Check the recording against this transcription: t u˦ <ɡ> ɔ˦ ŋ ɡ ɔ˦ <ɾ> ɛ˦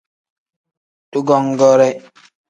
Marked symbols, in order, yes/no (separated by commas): yes, yes